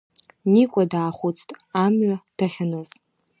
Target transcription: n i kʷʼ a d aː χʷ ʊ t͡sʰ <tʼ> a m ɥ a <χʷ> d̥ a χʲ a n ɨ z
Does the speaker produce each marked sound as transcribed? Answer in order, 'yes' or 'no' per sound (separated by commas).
yes, no